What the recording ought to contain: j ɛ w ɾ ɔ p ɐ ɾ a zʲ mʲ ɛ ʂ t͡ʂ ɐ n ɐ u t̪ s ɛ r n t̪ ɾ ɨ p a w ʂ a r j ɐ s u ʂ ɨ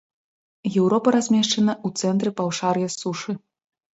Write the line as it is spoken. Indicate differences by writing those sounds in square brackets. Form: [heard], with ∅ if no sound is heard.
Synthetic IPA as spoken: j ɛ w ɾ ɔ p ɐ ɾ a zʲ mʲ ɛ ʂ t͡ʂ ɐ n ɐ u t̪ s ɛ [∅] n t̪ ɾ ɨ p a w ʂ a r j ɐ s u ʂ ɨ